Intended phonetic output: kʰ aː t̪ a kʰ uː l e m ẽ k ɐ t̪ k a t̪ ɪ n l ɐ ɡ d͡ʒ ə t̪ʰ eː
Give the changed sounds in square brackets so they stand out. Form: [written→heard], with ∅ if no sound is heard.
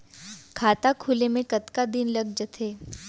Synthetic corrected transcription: kʰ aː t̪ a kʰ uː l e m ẽ k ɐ t̪ k a [t̪→d̪] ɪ n l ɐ ɡ d͡ʒ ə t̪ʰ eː